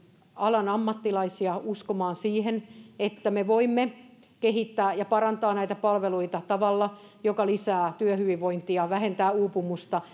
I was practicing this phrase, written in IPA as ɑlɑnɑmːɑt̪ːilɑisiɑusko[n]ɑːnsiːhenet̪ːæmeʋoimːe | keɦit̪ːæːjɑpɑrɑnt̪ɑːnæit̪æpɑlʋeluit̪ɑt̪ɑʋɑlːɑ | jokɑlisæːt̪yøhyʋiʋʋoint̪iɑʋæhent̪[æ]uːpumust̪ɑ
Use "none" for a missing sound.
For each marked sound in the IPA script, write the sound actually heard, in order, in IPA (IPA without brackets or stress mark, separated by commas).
m, æː